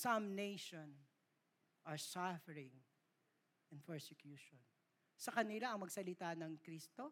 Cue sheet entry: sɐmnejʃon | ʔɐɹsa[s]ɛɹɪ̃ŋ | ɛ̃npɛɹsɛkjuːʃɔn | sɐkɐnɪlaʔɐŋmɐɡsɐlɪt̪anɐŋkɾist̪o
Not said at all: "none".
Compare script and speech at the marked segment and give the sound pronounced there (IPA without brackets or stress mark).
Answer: f